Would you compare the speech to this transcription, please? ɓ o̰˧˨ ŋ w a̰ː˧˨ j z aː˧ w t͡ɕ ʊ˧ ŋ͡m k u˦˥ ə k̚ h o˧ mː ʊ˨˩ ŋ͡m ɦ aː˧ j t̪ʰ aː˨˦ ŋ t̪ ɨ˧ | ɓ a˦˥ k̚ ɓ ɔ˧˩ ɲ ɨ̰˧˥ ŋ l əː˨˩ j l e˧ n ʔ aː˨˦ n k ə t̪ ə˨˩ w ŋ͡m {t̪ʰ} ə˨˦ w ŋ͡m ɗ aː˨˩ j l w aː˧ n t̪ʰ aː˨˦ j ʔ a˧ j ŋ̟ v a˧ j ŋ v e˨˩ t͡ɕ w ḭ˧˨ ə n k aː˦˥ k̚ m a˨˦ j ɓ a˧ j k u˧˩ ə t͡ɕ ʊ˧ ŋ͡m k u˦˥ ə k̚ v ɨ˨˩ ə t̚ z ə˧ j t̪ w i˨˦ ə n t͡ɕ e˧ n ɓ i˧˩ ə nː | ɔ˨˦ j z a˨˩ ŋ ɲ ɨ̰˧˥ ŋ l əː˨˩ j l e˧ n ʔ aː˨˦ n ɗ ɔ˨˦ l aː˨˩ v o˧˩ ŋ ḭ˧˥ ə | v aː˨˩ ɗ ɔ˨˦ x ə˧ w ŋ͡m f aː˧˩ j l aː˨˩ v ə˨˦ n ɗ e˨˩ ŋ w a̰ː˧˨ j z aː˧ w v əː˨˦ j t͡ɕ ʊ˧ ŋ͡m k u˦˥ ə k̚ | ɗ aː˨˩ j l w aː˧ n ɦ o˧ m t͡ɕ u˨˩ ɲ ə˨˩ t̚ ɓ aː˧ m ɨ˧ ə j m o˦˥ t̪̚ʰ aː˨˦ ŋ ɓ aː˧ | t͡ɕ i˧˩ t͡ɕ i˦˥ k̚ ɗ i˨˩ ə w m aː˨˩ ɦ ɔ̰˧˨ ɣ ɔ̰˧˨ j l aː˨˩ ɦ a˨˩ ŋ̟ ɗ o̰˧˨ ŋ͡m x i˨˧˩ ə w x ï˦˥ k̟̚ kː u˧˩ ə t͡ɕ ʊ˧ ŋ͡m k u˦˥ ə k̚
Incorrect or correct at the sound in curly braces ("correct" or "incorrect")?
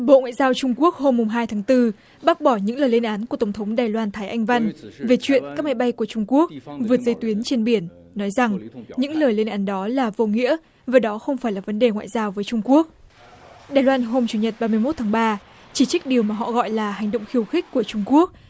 correct